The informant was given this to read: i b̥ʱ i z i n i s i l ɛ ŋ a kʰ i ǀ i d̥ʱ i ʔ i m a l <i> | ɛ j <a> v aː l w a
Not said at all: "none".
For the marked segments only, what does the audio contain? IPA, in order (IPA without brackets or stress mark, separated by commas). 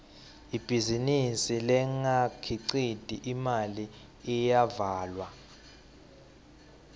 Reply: i, a